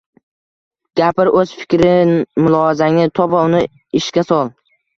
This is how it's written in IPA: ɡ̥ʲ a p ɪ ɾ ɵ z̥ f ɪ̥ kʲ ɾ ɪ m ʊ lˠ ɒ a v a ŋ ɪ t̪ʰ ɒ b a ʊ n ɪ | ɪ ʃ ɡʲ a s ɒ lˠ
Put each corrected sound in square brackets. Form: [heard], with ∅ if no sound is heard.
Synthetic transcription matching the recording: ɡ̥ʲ a p ɪ ɾ ɵ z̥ f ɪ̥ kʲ ɾ ɪ m ʊ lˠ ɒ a [z] a ŋ ɪ t̪ʰ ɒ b a ʊ n ɪ | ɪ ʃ [kʲ] a s ɒ lˠ

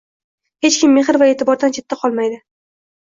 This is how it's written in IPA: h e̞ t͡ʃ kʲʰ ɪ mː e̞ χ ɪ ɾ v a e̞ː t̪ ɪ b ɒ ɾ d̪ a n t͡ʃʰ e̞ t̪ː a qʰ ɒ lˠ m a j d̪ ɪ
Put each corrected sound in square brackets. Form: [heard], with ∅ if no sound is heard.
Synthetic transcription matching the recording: h e̞ t͡ʃ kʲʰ ɪ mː e̞ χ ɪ ɾ v a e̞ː t̪ ɪ b ɒ ɾ d̪ a n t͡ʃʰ e̞ t̪ː a qʰ ɒ lˠ m a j d̪ ɪ

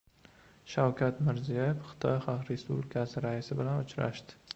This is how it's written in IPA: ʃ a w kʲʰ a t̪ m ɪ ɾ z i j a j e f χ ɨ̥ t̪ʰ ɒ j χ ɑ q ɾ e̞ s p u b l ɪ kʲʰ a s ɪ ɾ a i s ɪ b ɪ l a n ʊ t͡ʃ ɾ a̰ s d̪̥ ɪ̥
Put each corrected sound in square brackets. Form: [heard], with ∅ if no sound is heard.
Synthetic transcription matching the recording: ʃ a w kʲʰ a t̪ m ɪ ɾ z i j a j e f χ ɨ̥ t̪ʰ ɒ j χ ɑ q ɾ e̞ s p u b l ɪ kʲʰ a s ɪ ɾ a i s ɪ b ɪ l a n ʊ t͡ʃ ɾ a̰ [ʃ] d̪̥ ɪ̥

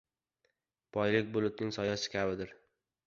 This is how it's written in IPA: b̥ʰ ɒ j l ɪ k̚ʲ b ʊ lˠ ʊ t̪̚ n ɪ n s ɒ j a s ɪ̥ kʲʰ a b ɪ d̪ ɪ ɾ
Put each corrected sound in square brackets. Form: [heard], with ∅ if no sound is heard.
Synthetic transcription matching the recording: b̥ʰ ɒ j l ɪ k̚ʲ b ʊ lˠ ʊ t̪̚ n ɪ [ŋ] s ɒ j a s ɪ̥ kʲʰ a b ɪ d̪ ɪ ɾ

